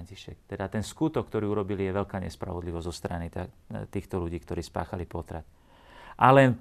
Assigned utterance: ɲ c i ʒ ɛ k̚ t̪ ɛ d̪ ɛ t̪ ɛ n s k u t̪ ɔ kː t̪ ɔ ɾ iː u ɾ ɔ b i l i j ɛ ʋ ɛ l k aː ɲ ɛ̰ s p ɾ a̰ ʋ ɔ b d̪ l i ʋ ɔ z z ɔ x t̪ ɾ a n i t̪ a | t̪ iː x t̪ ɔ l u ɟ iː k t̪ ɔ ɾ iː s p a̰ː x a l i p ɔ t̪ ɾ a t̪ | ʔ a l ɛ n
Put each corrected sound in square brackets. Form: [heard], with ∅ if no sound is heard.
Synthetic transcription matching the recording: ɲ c i [ʃ] ɛ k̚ t̪ ɛ d̪ [a] t̪ ɛ n s k u t̪ ɔ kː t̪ ɔ ɾ iː u ɾ ɔ b i l i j ɛ ʋ ɛ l k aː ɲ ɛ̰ s p ɾ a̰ ʋ ɔ [∅] d̪ l i ʋ ɔ z z ɔ [s] t̪ ɾ a n i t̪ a | t̪ iː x t̪ ɔ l u ɟ iː k t̪ ɔ ɾ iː s p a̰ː x a l i p ɔ t̪ ɾ a t̪ | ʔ a l ɛ n